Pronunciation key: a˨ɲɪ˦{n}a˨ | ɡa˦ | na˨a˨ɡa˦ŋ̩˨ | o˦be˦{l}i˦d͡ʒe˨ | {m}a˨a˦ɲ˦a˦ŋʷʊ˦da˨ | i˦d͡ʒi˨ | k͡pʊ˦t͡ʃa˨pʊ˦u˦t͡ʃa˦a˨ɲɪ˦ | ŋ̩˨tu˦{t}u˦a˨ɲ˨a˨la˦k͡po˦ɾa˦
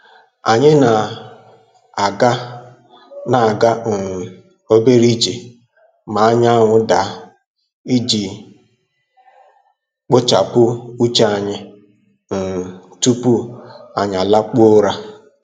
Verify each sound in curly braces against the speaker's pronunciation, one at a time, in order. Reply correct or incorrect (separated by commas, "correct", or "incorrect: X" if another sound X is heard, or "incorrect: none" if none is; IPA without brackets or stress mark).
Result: correct, incorrect: ɾ, correct, incorrect: p